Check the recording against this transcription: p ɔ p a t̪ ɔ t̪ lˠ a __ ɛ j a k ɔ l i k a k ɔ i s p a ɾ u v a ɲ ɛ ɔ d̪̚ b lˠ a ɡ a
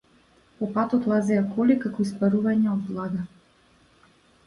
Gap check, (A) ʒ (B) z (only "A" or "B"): B